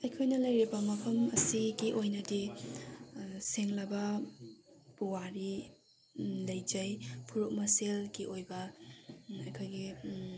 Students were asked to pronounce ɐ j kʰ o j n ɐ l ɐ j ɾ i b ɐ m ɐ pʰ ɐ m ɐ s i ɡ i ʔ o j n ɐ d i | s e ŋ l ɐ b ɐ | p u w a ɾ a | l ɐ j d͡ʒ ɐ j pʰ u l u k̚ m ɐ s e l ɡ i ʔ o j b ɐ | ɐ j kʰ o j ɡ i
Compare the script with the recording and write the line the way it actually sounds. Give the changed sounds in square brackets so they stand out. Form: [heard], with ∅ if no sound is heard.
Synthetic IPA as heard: ɐ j kʰ o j n ɐ l ɐ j ɾ i b ɐ m ɐ pʰ ɐ m ɐ s i ɡ i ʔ o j n ɐ d i | s e ŋ l ɐ b ɐ | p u w a ɾ [i] | l ɐ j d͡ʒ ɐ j pʰ u [ɾ] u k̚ m ɐ s e l ɡ i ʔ o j b ɐ | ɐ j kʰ o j ɡ i